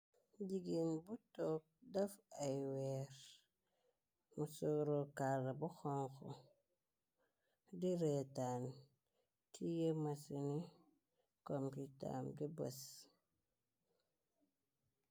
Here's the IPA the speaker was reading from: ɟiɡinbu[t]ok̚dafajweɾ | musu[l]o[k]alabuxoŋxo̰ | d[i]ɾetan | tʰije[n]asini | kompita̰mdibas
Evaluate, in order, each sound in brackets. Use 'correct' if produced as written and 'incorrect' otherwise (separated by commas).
correct, incorrect, correct, correct, incorrect